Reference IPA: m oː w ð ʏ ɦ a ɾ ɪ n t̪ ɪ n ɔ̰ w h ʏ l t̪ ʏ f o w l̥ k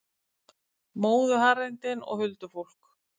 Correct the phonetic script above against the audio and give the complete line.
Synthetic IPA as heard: m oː w ð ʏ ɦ a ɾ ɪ n t̪ ɪ n ɔ̰ ɣ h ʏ l t̪ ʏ f o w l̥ k